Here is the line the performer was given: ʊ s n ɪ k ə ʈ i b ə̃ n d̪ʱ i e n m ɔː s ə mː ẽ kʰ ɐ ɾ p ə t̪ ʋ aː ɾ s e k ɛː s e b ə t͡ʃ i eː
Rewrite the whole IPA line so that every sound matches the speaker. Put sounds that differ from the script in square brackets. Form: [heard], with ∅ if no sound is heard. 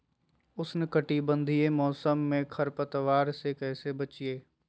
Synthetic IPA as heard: ʊ s n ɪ k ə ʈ i b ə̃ n d̪ʱ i e [∅] m ɔː s ə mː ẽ kʰ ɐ ɾ p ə t̪ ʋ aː ɾ s e k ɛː s e b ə t͡ʃ i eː